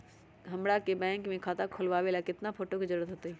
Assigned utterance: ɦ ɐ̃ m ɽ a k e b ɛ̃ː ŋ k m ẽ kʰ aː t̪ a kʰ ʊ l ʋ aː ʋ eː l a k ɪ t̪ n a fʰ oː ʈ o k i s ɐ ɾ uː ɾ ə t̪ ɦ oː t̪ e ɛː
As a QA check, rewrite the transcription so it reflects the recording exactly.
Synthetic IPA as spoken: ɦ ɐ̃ m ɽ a k e b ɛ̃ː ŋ k m ẽ kʰ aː t̪ a kʰ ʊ l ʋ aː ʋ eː l a k ɪ t̪ n a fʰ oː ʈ o k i z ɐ ɾ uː ɾ ə t̪ ɦ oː t̪ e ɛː